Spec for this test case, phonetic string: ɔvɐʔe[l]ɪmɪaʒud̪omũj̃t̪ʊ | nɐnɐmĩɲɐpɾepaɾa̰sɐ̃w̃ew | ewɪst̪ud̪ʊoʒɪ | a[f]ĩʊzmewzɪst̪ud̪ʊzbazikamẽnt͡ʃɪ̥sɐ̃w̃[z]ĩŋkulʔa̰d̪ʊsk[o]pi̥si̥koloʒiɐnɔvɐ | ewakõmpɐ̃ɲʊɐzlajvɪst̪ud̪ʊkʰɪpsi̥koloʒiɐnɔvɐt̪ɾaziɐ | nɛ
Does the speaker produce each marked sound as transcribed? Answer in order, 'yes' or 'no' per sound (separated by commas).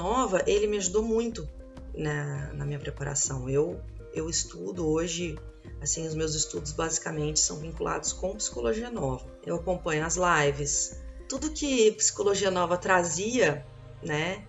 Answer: yes, no, no, no